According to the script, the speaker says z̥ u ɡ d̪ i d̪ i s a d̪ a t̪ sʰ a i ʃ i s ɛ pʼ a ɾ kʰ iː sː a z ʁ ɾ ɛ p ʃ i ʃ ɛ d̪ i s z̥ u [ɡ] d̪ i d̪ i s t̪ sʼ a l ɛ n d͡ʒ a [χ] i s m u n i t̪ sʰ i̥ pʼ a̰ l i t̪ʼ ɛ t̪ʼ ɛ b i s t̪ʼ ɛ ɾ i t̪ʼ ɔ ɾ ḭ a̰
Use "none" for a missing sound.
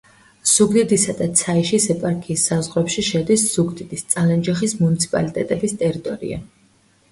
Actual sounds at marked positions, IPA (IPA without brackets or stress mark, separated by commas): ɡ, χ